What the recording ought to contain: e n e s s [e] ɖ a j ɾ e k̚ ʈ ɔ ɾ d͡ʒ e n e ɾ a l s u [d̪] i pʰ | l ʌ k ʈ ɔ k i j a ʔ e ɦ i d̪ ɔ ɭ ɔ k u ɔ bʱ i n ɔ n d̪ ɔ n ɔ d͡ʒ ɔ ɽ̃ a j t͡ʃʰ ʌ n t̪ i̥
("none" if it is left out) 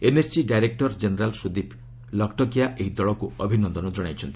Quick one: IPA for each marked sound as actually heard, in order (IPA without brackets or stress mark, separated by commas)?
i, d̪